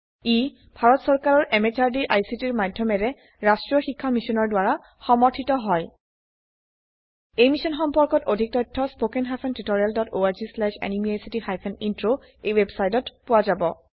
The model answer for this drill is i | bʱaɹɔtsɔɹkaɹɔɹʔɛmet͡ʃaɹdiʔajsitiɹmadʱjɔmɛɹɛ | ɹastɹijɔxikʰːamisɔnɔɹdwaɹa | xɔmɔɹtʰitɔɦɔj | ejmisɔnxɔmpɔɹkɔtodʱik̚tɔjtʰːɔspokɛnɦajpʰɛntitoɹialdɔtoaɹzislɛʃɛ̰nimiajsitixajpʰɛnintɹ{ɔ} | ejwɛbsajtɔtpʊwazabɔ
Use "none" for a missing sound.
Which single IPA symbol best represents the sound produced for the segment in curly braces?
o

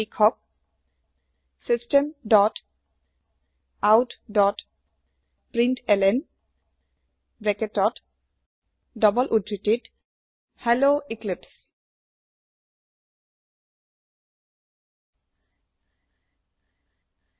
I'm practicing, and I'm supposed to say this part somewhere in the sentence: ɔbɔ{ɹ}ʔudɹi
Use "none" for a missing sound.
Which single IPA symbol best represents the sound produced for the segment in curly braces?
l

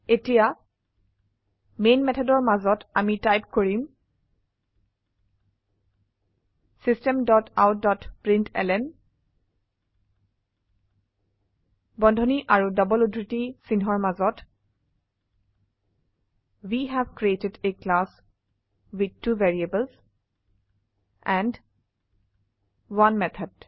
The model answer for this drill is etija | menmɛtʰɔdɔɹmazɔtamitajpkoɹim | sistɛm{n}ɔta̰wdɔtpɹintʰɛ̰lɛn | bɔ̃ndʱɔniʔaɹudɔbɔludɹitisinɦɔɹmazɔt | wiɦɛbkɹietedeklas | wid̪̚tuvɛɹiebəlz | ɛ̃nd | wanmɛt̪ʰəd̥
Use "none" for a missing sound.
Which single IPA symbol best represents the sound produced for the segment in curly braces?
d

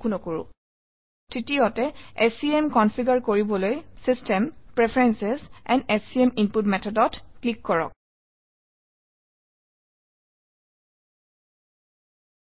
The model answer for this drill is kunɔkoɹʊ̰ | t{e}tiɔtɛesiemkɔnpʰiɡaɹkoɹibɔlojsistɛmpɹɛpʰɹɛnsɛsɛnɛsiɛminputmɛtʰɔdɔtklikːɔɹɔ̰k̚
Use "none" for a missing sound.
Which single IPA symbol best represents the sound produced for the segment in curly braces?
i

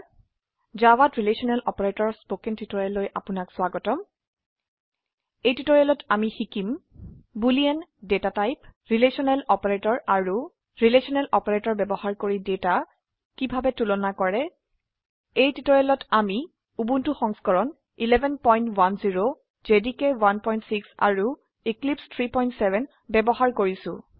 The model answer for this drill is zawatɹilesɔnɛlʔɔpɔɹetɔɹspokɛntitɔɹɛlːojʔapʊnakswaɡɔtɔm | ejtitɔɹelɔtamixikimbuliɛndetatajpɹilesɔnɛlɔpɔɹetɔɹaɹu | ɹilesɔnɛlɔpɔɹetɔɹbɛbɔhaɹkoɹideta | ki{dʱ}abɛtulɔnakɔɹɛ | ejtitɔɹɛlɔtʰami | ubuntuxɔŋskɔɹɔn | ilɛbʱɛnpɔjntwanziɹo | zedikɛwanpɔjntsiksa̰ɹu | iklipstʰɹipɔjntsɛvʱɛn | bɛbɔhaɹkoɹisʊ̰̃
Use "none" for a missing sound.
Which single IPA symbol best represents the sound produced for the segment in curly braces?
bʱ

